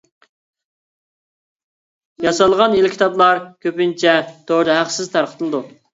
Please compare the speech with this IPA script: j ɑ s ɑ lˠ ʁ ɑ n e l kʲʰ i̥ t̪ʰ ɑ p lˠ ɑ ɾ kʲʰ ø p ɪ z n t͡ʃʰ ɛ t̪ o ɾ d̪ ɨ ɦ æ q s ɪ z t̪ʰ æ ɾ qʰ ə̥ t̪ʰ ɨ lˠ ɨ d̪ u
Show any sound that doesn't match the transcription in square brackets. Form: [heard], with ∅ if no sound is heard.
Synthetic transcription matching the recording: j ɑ s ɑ lˠ ʁ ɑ n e l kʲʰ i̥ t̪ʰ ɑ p lˠ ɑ ɾ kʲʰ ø p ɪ [∅] n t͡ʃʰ ɛ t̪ o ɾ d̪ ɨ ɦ æ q s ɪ z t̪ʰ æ ɾ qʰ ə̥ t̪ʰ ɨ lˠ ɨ d̪ u